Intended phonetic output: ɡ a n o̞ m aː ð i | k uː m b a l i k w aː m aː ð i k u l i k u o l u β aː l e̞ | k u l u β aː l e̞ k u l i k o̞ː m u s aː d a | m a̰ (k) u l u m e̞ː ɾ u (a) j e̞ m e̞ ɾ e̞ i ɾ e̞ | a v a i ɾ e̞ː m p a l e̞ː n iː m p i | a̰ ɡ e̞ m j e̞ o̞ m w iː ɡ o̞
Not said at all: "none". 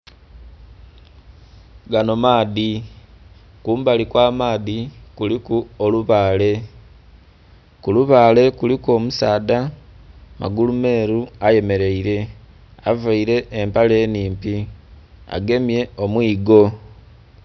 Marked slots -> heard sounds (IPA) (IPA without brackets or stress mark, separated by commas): ɡ, a